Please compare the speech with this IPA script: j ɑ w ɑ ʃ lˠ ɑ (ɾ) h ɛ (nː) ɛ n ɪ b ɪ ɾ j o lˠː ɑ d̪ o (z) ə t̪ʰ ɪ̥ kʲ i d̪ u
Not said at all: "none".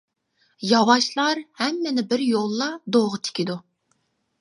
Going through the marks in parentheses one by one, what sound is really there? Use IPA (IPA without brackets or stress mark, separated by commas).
ɾ, mː, ʁ